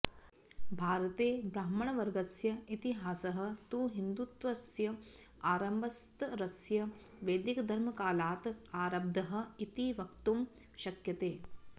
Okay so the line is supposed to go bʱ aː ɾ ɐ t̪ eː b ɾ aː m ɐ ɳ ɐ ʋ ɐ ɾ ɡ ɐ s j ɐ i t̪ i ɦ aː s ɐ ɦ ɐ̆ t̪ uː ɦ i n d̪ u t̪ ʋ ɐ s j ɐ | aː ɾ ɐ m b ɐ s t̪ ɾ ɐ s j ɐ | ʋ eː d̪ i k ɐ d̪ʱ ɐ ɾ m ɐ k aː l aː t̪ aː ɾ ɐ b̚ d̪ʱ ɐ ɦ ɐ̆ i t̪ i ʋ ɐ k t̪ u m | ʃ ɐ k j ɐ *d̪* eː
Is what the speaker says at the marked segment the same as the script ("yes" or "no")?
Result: no